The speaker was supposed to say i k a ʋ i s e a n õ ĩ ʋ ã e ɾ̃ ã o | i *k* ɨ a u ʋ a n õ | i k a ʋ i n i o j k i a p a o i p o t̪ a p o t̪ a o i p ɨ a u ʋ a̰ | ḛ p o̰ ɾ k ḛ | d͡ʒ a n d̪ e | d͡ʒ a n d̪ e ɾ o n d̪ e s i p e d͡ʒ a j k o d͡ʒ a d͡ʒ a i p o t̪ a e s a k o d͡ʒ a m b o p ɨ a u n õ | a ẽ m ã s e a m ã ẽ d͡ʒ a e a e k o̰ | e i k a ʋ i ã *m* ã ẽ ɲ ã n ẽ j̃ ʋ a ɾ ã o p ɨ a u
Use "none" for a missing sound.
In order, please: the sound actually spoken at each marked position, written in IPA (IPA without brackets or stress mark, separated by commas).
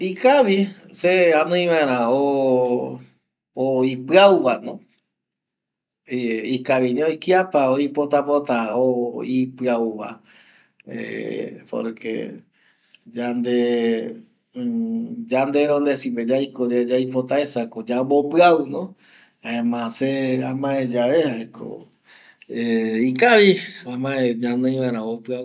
p, m